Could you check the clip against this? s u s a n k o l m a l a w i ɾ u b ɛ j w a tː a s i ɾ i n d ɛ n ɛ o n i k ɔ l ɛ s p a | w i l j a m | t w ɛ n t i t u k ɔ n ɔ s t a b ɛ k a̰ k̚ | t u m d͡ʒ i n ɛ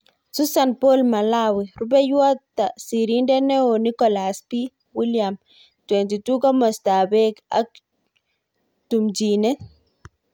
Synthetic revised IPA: s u s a n p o l m a l a w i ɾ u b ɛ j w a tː a s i ɾ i n d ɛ n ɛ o n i k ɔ l a s p i | w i l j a m | t w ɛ n t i t u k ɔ m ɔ s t a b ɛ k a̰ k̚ | t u m d͡ʒ i n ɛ